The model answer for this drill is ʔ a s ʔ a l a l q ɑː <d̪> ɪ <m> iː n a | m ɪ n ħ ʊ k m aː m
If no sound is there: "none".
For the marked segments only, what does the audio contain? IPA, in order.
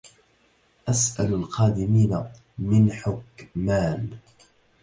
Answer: d̪, m

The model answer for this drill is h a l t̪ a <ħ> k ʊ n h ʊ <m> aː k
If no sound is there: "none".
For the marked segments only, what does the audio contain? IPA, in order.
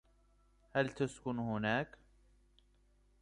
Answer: s, n

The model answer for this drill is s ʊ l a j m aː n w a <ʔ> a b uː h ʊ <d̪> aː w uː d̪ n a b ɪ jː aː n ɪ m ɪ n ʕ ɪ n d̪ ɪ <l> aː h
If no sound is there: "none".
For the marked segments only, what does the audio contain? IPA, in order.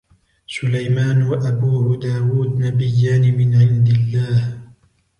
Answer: ʔ, d̪, lː

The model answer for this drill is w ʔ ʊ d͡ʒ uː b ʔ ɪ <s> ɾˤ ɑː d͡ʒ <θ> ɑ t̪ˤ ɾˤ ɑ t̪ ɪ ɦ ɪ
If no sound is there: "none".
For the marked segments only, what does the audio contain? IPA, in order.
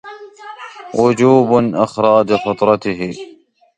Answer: x, f

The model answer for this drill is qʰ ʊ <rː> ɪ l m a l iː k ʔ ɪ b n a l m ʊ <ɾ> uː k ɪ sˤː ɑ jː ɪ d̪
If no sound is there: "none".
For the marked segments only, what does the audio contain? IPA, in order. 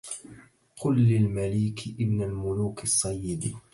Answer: lː, l

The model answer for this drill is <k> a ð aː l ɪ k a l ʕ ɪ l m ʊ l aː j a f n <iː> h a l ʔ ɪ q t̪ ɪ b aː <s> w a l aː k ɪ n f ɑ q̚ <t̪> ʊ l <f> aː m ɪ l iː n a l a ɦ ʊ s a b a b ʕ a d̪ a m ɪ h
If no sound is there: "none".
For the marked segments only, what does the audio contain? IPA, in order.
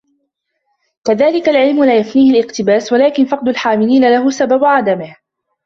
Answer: k, iː, s, d̪, ħ

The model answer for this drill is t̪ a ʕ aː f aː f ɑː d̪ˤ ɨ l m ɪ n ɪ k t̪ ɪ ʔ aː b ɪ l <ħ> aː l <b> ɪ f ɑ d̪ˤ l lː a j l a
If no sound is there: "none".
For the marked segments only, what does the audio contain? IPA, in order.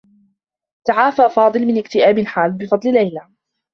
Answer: ħ, b

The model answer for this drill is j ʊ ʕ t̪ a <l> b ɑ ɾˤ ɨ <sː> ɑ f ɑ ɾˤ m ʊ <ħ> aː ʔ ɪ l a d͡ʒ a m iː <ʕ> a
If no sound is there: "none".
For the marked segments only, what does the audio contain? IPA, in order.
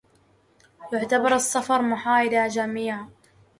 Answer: none, sː, ħ, ʕ

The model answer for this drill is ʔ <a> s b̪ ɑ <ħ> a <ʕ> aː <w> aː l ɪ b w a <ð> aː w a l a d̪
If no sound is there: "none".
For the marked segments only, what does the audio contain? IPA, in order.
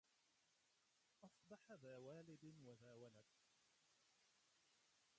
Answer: ɑ, ħ, ð, w, ð

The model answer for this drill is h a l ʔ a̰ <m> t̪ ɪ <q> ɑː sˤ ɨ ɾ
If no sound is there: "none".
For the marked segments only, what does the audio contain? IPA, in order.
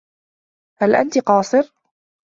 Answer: n, q

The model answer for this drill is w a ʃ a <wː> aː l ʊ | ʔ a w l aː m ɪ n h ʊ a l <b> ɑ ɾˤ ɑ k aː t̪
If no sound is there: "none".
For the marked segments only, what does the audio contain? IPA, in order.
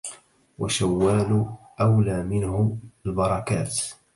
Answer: wː, b

